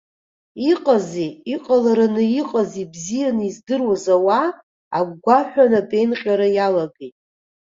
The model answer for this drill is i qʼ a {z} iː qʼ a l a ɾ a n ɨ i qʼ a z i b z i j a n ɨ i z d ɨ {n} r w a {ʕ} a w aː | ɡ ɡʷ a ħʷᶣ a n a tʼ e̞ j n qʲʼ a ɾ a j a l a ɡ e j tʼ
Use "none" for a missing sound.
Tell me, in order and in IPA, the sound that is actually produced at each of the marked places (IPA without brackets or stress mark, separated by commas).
z, none, z